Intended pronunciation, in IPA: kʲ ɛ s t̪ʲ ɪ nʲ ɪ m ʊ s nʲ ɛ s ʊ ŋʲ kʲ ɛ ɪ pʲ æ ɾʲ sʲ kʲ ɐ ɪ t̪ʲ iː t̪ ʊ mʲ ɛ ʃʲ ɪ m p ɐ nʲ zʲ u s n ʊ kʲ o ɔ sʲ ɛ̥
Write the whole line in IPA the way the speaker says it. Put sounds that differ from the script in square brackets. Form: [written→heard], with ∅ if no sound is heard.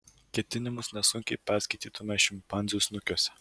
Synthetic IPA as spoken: kʲ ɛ [s→∅] t̪ʲ ɪ nʲ ɪ m ʊ s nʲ ɛ s ʊ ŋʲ kʲ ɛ ɪ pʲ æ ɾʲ sʲ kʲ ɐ ɪ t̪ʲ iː t̪ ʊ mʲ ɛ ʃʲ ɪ m p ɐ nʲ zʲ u s n ʊ kʲ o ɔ sʲ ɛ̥